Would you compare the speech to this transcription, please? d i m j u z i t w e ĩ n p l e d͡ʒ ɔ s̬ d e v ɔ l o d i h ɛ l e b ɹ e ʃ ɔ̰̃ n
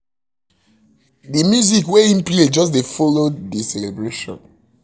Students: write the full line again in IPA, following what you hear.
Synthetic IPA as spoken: d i m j u z i k w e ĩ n p l e d͡ʒ ɔ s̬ d e f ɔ l o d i s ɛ l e b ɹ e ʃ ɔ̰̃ n